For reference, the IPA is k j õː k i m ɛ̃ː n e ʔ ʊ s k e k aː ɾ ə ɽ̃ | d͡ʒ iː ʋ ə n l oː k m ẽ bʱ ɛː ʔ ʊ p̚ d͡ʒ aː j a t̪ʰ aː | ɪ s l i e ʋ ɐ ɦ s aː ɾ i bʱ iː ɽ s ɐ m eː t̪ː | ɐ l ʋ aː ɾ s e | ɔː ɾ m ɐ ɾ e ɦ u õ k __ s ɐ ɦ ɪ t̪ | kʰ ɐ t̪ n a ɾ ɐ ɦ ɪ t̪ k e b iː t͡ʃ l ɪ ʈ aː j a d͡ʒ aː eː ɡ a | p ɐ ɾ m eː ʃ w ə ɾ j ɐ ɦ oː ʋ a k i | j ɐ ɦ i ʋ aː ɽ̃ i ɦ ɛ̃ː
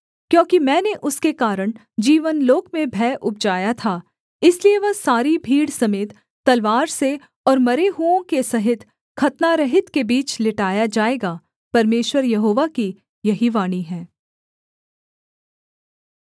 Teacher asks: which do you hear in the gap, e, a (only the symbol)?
e